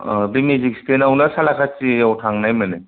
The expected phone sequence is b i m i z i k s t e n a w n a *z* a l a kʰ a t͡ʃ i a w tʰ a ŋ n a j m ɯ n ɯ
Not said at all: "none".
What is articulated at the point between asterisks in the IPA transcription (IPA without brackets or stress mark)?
s